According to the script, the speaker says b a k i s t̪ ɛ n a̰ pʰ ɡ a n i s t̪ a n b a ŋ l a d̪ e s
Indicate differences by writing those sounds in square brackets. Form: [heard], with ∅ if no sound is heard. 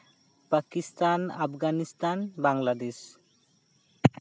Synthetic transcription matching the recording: [p] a k i s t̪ [a] n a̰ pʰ ɡ a n i s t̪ a n b a ŋ l a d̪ e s